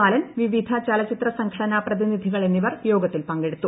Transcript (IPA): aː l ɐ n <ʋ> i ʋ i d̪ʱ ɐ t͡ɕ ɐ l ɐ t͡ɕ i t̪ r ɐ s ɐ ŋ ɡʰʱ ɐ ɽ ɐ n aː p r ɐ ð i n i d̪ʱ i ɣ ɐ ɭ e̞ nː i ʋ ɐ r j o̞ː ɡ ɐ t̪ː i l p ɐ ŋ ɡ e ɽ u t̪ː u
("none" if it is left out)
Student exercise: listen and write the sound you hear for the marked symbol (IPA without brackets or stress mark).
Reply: ʋ